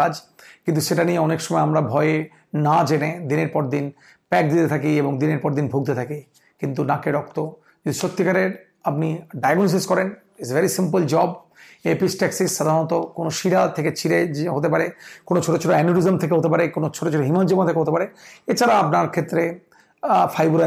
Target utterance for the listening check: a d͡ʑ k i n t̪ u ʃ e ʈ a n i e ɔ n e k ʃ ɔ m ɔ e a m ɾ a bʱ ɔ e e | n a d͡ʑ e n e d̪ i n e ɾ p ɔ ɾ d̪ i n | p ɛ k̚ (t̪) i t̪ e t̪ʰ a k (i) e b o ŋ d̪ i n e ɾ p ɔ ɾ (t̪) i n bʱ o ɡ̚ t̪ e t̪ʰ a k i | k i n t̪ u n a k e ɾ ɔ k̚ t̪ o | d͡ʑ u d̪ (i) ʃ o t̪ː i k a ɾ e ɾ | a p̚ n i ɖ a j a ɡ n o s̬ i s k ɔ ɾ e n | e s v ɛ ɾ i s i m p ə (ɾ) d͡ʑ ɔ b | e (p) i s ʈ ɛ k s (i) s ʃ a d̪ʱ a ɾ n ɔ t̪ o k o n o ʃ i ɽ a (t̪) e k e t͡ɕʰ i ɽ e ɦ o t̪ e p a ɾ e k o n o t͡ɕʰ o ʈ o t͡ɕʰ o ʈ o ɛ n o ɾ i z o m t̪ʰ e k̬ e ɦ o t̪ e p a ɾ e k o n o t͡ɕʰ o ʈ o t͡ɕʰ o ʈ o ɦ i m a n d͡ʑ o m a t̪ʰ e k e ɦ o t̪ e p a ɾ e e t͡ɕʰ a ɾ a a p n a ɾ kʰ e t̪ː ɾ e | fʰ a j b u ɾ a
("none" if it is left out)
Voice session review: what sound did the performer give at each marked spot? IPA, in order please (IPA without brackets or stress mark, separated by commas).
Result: d̪, i, d̪, i, l, p, i, t̪ʰ